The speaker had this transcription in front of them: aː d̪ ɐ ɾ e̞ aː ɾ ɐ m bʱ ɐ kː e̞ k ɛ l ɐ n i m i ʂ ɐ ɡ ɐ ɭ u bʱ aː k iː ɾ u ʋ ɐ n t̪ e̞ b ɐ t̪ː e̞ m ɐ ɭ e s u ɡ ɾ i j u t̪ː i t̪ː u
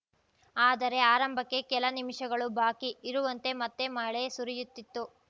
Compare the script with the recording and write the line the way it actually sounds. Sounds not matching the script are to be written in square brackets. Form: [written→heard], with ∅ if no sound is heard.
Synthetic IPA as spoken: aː d̪ ɐ ɾ e̞ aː ɾ ɐ m bʱ ɐ kː e̞ k ɛ l ɐ n i m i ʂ ɐ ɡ ɐ ɭ u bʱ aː k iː ɾ u ʋ ɐ n t̪ e̞ [b→m] ɐ t̪ː e̞ m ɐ ɭ e s u [ɡ→∅] ɾ i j u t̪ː i t̪ː u